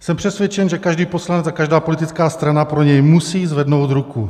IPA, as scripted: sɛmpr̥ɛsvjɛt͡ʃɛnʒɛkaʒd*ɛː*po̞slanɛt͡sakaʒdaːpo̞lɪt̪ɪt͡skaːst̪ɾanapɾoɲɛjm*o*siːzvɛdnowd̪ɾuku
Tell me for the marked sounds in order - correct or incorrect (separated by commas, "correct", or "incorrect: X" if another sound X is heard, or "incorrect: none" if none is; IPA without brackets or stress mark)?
incorrect: iː, incorrect: u